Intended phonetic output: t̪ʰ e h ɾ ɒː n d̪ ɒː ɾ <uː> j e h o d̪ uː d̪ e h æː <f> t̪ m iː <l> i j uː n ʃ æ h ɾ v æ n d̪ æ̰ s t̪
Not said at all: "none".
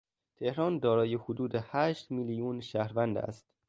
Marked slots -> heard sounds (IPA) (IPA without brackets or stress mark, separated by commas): ɒː, ʃ, l